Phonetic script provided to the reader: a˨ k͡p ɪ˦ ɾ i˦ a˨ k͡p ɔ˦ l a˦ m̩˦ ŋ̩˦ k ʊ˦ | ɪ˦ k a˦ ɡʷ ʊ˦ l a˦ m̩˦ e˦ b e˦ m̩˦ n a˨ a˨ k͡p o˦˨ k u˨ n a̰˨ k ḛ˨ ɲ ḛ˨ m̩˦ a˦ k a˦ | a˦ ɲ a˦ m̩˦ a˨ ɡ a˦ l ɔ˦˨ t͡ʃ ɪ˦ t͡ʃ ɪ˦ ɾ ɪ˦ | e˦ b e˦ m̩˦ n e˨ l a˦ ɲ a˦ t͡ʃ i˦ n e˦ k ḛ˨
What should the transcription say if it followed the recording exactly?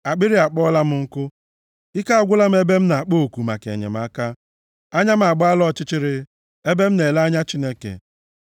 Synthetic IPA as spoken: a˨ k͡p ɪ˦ ɾ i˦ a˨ k͡p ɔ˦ l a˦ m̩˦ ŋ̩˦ k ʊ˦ | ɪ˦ k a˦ ɡʷ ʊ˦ l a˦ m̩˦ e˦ b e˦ m̩˦ n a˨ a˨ k͡p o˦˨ k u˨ m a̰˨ k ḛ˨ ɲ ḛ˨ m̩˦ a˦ k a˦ | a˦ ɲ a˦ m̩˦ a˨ ɡ͡b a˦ l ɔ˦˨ t͡ʃ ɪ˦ t͡ʃ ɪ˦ ɾ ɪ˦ | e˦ b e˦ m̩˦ n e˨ l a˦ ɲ a˦ t͡ʃ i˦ n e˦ k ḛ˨

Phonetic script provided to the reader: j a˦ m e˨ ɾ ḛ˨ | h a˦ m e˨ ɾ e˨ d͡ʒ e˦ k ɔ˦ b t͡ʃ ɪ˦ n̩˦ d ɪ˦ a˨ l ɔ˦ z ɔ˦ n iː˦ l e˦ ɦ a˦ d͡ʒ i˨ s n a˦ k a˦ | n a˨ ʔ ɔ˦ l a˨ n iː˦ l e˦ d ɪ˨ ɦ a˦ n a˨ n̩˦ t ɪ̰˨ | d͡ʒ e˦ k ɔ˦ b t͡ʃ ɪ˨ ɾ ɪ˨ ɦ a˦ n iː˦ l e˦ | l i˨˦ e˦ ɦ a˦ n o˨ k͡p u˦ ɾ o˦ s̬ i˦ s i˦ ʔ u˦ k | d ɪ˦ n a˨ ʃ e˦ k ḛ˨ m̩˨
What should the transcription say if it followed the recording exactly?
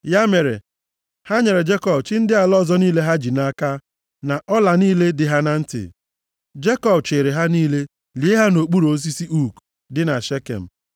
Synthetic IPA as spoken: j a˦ m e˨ ɾ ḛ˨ | h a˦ ɲ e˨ ɾ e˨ d͡ʒ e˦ k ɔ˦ b t͡ʃ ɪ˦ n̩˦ d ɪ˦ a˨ l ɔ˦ z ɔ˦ n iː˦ l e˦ ɦ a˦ d͡ʒ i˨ n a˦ k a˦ | n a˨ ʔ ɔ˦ l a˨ n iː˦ l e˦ d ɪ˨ ɦ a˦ n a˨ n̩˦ t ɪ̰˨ | d͡ʒ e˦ k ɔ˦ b t͡ʃ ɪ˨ ɾ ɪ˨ ɦ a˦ n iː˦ l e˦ | l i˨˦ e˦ ɦ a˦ n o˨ k͡p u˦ ɾ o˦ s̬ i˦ s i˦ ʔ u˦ k | d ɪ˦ n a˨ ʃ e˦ k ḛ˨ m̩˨

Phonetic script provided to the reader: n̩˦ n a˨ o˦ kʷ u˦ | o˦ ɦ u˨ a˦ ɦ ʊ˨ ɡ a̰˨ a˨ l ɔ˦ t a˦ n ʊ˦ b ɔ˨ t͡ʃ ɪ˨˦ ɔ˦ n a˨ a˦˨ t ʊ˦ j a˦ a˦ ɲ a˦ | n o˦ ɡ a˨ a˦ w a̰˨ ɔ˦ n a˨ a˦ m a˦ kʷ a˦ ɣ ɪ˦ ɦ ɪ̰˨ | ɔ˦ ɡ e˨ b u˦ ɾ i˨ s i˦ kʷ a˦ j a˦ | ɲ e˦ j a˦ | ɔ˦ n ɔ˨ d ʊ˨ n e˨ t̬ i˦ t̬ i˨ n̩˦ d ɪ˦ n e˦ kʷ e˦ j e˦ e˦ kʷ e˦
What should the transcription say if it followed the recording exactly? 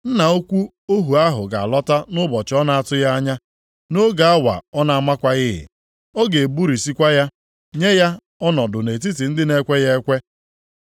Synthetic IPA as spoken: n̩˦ n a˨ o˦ kʷ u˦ | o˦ ɦ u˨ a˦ ɦ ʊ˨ ɡ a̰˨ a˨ l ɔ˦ t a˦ n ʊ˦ b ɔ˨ t͡ʃ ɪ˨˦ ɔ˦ n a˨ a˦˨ t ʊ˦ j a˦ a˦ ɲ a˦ | n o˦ ɡ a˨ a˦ w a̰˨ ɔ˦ n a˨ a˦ m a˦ kʷ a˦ ɣ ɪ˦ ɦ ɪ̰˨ | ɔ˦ ɡ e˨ b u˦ ɾ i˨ s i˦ kʷ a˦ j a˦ | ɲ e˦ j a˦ | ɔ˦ n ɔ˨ d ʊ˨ n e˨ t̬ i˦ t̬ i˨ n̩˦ d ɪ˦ n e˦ kʷ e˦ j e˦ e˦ kʷ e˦

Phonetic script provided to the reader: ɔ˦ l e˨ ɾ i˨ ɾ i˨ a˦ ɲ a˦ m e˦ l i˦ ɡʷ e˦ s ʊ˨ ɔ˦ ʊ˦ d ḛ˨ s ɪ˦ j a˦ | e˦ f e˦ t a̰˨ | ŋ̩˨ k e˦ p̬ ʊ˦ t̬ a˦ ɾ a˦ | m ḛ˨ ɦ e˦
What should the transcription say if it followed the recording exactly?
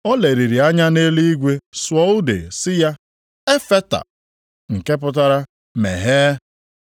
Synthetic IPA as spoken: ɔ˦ l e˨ ɾ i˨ ɾ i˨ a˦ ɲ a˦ n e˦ l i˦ ɡʷ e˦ s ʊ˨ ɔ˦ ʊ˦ d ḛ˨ s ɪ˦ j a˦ | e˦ f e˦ t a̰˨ | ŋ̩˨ k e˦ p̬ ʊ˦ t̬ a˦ ɾ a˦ | m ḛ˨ ɦ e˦

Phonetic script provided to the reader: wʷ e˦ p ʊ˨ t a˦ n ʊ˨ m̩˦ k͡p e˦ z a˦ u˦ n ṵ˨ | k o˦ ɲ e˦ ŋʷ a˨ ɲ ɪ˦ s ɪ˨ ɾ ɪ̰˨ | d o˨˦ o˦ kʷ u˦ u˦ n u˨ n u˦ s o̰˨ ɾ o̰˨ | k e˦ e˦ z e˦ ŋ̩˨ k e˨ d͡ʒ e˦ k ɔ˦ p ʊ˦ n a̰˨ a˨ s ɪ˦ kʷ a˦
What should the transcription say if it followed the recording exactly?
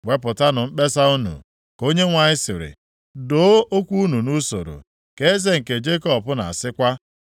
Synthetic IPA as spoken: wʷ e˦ p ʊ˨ t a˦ n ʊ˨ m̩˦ k͡p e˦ s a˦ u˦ n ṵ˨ | k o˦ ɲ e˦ ŋʷ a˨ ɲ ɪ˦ s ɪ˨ ɾ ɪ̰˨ | d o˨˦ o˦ kʷ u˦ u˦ n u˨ n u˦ s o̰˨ ɾ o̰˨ | k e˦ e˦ z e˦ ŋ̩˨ k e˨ d͡ʒ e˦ k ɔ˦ p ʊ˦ n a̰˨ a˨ s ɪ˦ kʷ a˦

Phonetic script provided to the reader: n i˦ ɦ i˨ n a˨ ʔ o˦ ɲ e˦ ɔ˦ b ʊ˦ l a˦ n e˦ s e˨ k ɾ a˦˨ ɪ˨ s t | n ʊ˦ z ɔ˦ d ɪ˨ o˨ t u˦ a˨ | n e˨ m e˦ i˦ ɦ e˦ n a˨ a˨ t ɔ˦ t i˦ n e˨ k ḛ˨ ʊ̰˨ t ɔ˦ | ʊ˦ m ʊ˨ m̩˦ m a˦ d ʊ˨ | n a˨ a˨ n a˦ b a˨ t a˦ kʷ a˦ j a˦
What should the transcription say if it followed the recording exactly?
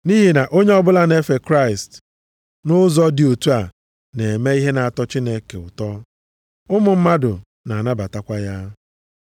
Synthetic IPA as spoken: n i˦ ɦ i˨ n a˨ ʔ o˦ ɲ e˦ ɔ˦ b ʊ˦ l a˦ n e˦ f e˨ k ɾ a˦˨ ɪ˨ s t | n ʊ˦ z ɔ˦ d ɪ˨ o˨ t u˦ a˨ | n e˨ m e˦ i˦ ɦ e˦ n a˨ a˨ t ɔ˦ t͡ʃ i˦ n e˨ k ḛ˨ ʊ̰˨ t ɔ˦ | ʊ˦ m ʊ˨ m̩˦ m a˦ d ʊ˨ | n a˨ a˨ n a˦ b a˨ t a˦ kʷ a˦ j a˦

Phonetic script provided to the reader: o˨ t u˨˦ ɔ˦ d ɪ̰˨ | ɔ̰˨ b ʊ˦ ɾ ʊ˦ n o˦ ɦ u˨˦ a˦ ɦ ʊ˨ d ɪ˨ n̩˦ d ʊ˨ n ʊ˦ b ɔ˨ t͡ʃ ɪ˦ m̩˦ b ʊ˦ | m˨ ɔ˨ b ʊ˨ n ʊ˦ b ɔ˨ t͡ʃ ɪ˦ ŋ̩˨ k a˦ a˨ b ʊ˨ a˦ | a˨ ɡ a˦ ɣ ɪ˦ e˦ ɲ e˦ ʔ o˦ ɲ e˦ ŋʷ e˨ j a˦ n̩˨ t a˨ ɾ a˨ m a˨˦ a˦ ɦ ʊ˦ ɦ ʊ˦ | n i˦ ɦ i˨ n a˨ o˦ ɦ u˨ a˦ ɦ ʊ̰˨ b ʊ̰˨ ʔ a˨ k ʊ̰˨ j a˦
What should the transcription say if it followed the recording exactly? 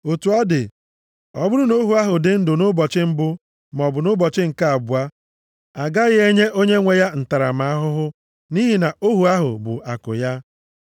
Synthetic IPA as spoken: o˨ t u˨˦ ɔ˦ d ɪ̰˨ | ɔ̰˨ b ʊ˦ ɾ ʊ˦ n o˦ ɦ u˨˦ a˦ ɦ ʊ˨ d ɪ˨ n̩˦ d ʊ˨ n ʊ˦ b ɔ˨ t͡ʃ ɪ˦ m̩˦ b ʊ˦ | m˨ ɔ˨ b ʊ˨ n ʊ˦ b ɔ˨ t͡ʃ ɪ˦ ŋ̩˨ k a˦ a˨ b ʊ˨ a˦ | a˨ ɡ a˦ ɣ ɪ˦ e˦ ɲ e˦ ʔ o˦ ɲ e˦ ŋʷ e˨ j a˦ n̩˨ t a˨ ɾ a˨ m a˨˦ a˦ ɦ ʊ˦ ɦ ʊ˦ | n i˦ ɦ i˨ n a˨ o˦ ɦ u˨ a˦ ɦ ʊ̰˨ b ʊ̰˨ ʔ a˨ k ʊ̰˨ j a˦

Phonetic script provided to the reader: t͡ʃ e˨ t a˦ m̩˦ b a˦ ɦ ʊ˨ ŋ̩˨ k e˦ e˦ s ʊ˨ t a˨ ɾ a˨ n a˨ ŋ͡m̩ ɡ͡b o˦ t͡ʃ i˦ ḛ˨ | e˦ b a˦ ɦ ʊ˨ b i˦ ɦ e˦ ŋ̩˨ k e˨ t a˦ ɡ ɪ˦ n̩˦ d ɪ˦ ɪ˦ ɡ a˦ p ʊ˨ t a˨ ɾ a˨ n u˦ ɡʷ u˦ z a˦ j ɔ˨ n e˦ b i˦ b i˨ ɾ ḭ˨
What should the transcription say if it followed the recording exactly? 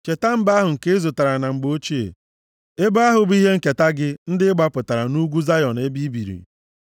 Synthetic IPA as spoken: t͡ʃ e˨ t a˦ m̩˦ b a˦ ɦ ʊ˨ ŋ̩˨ k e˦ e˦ z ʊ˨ t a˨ ɾ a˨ n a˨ ŋ͡m̩ ɡ͡b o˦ t͡ʃ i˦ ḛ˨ | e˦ b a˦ ɦ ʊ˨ b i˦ ɦ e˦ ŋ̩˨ k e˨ t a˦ ɡ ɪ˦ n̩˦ d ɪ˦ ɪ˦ ɡ͡b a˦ p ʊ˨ t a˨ ɾ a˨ n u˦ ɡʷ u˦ z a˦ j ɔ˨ n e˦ b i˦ b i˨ ɾ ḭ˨

